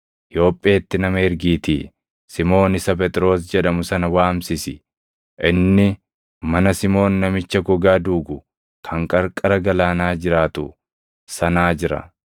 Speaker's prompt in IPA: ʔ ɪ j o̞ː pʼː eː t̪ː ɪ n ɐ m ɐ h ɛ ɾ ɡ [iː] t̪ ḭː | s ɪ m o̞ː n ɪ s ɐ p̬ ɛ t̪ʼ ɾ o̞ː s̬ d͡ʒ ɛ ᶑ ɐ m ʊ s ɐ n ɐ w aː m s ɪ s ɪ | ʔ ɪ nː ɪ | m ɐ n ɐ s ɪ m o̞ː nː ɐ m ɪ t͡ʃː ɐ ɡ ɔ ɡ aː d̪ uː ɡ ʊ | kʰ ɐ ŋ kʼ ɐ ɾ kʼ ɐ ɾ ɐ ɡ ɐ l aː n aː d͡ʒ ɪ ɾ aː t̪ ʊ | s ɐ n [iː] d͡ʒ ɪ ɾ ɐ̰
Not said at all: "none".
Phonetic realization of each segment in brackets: iː, aː

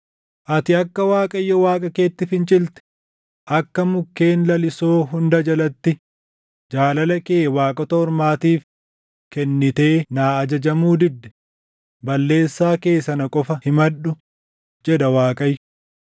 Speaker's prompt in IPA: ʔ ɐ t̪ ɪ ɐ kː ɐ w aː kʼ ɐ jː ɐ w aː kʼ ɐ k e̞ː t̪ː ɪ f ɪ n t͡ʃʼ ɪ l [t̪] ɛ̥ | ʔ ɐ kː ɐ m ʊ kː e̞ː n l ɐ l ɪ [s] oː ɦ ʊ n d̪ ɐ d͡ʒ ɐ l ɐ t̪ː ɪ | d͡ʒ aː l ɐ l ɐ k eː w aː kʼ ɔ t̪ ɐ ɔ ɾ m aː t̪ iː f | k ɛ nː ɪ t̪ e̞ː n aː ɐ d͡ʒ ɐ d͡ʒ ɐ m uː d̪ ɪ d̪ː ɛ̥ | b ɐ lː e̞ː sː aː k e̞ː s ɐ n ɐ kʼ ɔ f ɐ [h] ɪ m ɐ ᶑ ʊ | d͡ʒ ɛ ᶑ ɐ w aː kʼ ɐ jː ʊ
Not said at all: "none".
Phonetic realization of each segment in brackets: t̪, s, h

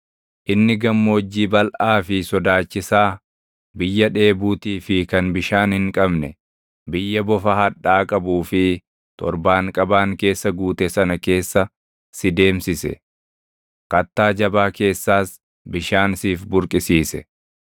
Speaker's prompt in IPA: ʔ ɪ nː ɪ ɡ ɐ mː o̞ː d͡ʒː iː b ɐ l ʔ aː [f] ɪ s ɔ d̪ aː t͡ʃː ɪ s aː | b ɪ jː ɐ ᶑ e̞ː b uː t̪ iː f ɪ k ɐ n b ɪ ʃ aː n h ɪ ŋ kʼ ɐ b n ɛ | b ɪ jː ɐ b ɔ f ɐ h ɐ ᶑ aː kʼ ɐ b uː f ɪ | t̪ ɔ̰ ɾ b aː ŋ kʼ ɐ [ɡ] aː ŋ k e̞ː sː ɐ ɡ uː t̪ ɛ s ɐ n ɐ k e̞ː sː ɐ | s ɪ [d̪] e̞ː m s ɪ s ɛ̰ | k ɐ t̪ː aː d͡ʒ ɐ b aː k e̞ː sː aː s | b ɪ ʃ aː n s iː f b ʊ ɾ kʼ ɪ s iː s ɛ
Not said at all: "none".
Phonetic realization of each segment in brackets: f, b, d̪

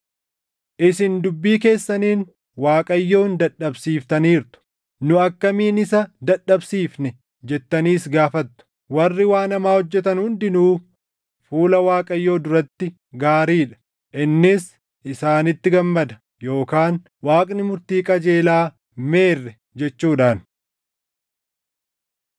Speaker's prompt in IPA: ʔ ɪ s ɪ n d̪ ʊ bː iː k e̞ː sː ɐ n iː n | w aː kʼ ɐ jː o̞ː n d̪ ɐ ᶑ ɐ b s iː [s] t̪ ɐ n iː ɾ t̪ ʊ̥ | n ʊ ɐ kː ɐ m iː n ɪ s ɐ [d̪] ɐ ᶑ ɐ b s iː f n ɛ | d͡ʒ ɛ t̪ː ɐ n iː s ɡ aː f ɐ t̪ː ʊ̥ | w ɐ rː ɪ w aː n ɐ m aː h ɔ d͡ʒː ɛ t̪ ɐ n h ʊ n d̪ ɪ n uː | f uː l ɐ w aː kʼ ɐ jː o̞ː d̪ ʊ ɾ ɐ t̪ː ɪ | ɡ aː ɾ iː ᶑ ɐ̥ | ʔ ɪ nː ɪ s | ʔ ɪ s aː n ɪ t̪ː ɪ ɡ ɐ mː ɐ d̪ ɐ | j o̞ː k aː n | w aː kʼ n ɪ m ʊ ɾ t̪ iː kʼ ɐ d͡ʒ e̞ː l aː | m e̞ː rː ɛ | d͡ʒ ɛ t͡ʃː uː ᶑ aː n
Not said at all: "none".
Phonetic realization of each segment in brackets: f, d̪

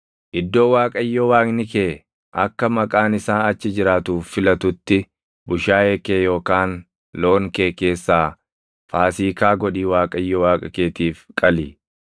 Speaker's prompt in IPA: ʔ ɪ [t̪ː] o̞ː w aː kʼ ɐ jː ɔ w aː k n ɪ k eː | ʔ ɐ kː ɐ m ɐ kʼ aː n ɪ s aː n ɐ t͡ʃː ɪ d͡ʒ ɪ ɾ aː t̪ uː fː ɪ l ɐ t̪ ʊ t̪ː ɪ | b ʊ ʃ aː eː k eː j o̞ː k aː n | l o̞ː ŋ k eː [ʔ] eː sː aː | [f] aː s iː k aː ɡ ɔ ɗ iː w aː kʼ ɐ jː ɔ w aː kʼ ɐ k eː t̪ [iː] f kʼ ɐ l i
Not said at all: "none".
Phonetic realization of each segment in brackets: d̪ː, k, f, iː

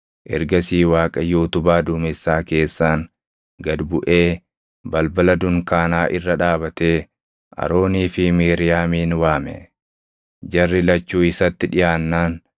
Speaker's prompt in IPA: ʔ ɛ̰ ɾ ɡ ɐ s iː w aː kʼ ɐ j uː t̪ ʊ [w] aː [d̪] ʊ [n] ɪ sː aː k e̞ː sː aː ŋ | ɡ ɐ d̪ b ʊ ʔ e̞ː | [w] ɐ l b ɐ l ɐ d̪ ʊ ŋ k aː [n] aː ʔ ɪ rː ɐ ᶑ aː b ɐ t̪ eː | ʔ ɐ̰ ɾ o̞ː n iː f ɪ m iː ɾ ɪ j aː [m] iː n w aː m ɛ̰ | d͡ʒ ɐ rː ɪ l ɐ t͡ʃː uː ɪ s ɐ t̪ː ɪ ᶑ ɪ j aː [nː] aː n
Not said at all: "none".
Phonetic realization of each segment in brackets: b, d̪, m, b, n, m, nː

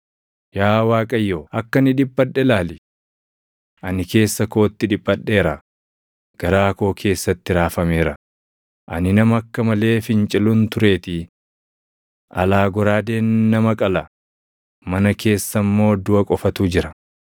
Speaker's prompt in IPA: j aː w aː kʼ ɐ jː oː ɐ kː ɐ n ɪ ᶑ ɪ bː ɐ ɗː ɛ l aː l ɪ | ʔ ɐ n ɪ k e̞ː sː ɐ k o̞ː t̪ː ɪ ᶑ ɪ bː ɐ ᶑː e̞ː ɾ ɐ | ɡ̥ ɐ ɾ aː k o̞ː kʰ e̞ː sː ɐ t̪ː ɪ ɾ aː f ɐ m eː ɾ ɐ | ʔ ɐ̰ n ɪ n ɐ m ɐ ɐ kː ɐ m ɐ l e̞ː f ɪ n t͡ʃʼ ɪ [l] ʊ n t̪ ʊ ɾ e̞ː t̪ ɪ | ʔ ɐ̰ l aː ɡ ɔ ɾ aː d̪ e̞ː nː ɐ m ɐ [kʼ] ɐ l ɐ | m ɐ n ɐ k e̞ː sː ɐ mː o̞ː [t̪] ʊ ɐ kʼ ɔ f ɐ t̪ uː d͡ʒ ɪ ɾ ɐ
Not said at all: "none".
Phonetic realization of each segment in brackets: l, kʼ, d̪

